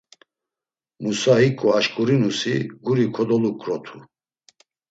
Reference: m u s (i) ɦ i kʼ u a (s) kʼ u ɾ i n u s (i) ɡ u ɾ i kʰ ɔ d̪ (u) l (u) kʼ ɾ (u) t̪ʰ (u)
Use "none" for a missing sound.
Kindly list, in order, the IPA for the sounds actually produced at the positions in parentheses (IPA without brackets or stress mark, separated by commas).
a, ʃ, i, ɔ, u, ɔ, u